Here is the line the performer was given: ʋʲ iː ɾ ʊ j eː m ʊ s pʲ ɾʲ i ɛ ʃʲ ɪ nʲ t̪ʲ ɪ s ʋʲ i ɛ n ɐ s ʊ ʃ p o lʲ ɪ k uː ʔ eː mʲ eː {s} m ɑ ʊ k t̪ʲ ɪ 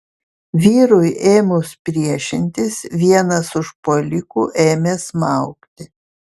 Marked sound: correct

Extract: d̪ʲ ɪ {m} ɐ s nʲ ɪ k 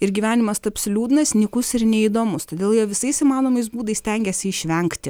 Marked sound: incorrect: n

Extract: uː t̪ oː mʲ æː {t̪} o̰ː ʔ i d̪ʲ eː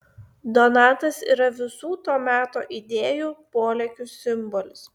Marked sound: correct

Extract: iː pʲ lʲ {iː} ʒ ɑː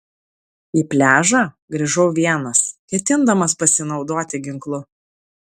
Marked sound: incorrect: æː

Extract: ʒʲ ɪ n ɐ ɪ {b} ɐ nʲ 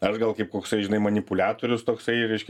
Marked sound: incorrect: m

